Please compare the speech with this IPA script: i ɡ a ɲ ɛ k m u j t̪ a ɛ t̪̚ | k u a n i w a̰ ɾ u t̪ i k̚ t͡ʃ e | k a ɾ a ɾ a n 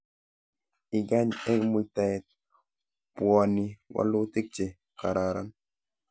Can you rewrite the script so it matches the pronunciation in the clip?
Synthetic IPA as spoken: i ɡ a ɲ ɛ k m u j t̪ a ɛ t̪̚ | p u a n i w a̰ l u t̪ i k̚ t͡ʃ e | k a ɾ a ɾ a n